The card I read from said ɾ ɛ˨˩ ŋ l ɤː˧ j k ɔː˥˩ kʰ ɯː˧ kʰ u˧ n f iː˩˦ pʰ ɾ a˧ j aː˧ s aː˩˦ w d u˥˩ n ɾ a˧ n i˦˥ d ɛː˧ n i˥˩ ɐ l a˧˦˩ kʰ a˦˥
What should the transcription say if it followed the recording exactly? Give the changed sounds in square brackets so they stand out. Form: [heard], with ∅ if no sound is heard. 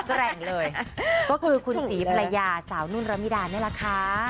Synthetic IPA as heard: ɾ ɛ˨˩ ŋ l ɤː˧ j k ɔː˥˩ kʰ ɯː˧ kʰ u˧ n [s] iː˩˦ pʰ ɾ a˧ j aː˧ s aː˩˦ w [n] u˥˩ n ɾ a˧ [m] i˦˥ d [aː˧] n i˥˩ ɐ l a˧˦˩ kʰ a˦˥